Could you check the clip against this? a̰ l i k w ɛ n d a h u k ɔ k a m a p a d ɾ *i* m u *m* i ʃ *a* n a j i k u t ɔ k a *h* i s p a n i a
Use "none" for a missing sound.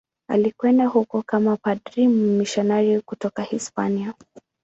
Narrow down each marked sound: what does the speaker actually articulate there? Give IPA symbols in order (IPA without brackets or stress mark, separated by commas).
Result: i, m, a, h